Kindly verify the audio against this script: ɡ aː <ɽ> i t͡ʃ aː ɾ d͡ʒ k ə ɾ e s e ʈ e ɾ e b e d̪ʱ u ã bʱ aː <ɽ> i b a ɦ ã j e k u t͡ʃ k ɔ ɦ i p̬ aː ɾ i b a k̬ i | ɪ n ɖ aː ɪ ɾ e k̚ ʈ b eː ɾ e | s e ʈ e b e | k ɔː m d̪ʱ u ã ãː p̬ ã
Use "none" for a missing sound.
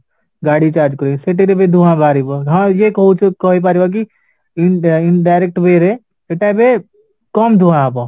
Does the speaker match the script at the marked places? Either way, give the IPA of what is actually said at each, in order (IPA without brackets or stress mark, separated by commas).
ɽ, ɾ